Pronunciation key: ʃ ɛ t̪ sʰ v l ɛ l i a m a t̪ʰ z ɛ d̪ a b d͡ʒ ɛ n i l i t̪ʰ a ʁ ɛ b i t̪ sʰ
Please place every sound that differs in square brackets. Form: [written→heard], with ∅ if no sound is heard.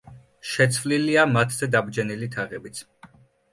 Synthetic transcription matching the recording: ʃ ɛ t̪ sʰ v l [ɛ→i] l i a m a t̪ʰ z ɛ d̪ a b d͡ʒ ɛ n i l i t̪ʰ a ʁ ɛ b i t̪ sʰ